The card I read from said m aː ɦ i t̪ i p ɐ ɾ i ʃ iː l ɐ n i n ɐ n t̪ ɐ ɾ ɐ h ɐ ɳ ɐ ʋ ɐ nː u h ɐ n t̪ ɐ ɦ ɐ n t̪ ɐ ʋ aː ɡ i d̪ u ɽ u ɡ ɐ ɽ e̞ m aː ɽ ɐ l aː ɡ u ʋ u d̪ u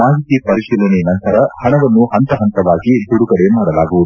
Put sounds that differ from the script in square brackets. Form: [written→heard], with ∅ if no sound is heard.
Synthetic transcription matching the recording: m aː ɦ i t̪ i p ɐ ɾ i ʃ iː l ɐ n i n ɐ n t̪ ɐ ɾ ɐ h ɐ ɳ ɐ ʋ ɐ nː u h ɐ n t̪ ɐ ɦ ɐ n t̪ ɐ ʋ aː ɡ i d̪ u ɽ u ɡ ɐ ɽ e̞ m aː ɽ ɐ l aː ɡ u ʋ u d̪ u